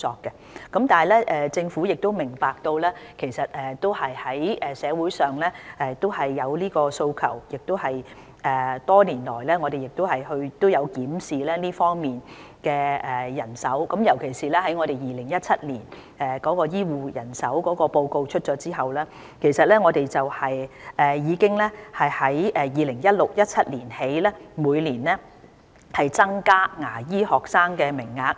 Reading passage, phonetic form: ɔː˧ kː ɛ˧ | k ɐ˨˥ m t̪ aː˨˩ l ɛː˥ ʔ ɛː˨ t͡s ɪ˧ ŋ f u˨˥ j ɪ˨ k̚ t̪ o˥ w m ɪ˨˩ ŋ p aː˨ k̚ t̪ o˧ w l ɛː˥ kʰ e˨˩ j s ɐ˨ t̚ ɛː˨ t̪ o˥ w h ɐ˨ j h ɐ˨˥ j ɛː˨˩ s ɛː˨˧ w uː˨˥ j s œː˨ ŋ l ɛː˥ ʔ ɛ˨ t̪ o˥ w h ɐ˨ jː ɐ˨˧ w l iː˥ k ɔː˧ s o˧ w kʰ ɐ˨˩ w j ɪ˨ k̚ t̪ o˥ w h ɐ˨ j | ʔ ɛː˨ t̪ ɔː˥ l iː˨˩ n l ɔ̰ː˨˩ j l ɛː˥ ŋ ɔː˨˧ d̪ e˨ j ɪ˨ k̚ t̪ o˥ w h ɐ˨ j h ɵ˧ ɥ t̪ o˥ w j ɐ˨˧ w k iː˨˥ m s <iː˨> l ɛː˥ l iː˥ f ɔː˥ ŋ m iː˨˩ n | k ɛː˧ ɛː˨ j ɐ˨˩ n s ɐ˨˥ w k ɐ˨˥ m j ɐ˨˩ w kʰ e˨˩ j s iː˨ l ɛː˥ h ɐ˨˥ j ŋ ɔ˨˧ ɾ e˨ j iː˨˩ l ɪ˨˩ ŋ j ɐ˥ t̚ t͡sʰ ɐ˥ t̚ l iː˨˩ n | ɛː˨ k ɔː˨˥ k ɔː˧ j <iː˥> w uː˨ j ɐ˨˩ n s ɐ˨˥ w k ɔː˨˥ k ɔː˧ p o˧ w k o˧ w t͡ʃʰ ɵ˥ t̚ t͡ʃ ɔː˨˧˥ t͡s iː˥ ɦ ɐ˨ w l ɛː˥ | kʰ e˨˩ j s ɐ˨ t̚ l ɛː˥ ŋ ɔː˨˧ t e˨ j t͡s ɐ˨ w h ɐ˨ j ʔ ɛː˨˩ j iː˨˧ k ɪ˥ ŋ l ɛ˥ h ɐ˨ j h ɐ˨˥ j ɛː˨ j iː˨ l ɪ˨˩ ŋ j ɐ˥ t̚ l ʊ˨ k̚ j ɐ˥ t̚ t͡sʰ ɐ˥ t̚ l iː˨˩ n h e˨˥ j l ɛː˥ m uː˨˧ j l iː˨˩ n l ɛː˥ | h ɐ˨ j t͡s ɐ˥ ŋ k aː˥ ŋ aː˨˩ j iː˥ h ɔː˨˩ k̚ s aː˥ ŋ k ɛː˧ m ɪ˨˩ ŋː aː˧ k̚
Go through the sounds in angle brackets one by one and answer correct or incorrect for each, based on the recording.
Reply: correct, correct

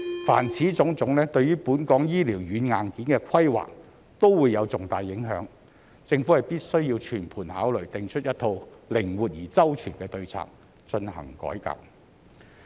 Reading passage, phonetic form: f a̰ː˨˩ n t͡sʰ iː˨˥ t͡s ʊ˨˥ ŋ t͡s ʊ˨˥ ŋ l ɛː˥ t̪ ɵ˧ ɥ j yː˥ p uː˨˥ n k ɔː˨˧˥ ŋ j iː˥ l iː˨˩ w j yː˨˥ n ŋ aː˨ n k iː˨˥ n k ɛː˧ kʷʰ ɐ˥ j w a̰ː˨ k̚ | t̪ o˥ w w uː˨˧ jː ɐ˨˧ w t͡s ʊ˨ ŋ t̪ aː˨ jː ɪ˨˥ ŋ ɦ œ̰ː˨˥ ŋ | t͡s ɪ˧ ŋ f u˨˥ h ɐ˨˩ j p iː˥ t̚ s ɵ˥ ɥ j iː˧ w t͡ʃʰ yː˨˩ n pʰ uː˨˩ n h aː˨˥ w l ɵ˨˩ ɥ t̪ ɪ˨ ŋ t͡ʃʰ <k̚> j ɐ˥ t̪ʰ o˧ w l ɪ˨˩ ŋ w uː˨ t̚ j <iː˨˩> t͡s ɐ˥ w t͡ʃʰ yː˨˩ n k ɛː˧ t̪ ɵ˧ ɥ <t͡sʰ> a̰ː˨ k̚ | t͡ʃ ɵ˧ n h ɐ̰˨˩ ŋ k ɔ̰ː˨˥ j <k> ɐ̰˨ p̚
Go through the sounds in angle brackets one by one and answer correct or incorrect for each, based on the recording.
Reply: incorrect, correct, correct, correct

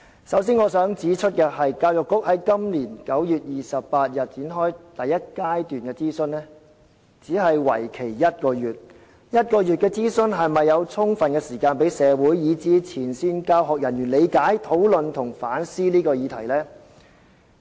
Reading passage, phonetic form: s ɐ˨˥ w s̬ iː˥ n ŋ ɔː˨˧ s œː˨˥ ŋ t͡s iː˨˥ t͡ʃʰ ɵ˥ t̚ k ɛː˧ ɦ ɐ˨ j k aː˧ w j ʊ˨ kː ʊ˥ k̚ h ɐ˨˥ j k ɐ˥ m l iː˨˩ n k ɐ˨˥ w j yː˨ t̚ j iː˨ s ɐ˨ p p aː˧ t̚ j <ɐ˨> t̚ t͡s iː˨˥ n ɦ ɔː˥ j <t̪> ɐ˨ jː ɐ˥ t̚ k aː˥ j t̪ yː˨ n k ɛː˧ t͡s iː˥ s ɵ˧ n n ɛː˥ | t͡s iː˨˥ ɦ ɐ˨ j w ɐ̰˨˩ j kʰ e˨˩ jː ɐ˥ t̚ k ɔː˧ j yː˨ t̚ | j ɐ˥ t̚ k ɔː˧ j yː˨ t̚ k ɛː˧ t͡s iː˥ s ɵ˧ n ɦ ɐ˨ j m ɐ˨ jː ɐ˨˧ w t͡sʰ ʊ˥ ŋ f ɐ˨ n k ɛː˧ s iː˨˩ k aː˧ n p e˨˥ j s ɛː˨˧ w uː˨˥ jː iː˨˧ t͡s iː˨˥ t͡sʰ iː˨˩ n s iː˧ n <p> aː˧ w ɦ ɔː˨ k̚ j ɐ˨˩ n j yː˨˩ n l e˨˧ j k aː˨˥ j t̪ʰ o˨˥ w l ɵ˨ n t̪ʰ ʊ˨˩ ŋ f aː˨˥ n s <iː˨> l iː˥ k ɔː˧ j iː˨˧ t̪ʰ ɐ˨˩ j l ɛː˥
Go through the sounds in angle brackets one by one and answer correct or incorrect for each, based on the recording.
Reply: correct, correct, incorrect, incorrect

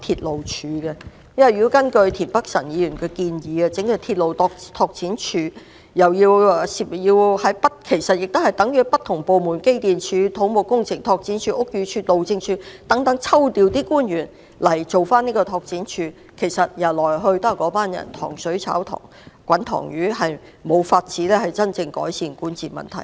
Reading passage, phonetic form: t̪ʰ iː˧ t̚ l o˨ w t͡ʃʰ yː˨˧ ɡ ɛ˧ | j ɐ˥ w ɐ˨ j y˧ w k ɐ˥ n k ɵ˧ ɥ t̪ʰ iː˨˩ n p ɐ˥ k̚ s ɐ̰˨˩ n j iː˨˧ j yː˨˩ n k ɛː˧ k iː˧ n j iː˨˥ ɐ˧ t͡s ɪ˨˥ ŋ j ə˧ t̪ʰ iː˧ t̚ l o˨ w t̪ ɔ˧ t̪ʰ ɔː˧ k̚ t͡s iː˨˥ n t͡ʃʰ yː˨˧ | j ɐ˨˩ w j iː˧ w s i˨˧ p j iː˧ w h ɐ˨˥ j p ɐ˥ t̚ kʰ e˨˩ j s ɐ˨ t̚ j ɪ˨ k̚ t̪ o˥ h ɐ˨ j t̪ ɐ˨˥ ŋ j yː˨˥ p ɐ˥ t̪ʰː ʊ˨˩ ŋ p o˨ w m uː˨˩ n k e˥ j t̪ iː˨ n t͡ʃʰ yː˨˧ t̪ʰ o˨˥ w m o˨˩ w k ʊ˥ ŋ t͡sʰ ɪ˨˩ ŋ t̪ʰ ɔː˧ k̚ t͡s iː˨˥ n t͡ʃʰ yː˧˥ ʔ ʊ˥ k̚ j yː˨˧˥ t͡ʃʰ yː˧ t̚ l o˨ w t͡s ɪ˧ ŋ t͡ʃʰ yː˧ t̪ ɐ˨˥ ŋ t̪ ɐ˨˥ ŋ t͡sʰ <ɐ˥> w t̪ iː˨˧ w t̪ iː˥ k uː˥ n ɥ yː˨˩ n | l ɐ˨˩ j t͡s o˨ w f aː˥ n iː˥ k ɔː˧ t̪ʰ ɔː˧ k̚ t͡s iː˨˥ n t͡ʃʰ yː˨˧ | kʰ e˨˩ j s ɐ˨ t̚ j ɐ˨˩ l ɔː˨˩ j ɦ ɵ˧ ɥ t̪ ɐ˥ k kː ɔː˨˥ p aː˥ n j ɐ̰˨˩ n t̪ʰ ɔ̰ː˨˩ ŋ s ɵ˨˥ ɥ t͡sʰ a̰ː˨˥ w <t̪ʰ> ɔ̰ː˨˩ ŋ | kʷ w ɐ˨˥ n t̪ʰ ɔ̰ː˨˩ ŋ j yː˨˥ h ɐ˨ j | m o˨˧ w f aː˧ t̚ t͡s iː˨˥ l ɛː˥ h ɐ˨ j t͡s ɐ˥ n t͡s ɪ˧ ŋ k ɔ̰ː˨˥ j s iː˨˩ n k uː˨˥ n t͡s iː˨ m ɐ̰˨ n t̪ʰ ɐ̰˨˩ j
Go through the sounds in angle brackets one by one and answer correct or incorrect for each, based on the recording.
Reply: correct, correct

